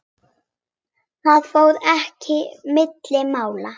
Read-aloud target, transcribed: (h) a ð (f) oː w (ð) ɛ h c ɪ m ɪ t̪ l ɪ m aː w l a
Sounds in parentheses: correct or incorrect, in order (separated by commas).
incorrect, correct, correct